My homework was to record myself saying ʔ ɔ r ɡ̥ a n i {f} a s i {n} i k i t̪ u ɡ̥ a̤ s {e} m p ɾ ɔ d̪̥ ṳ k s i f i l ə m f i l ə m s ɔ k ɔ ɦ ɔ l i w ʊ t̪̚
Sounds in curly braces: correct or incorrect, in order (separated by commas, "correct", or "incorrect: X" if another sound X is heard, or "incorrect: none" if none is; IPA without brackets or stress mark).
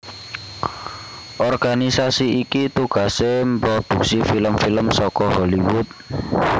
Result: incorrect: s, incorrect: none, correct